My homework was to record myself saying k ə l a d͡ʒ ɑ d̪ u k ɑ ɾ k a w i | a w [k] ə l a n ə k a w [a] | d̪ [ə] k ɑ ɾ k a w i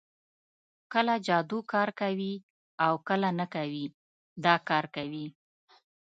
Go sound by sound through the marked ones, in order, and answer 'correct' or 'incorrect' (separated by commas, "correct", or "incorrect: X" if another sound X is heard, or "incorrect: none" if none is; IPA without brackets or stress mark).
correct, incorrect: i, incorrect: ɑ